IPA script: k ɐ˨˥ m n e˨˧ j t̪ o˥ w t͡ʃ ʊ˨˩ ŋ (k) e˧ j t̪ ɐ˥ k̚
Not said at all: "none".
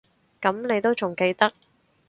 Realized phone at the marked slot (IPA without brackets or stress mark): k